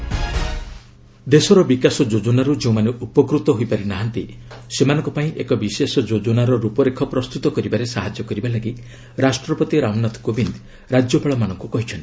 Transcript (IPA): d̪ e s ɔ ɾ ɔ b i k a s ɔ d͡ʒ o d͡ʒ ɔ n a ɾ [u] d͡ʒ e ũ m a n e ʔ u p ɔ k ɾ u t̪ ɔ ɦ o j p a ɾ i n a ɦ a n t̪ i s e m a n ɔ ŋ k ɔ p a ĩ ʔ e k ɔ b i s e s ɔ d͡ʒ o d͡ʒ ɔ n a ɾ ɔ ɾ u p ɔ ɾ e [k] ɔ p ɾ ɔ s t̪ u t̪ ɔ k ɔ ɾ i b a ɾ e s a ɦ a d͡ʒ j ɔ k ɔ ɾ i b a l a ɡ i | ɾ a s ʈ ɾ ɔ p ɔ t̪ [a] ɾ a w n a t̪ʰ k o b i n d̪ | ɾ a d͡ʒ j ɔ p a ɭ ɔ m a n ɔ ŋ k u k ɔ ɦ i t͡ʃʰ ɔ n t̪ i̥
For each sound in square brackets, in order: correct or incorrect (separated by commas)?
correct, incorrect, incorrect